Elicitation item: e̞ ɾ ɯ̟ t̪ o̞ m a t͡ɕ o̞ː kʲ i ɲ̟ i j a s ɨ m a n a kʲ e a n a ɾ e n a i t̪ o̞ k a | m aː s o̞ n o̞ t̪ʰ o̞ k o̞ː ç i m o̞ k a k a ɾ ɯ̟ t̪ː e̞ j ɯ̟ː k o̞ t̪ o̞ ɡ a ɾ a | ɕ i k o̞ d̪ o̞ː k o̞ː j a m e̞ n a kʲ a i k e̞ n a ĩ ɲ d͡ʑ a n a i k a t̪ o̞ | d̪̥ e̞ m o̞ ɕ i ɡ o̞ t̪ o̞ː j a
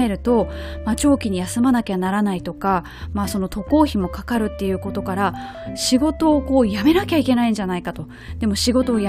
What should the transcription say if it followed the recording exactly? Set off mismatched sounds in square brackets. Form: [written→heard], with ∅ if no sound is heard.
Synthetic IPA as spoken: e̞ ɾ ɯ̟ t̪ o̞ m a t͡ɕ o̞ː kʲ i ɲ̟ i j a s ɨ m a n a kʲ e a n a ɾ [e→a] n a i t̪ o̞ k a | m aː s o̞ n o̞ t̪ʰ o̞ k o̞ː ç i m o̞ k a k a ɾ ɯ̟ t̪ː e̞ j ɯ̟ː k o̞ t̪ o̞ [ɡ→k] a ɾ a | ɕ i [k→ɡ] o̞ [d̪→t̪] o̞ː k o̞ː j a m e̞ n a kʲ a i k e̞ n a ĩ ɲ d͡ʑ a n a i k a t̪ o̞ | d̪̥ e̞ m o̞ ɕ i ɡ o̞ t̪ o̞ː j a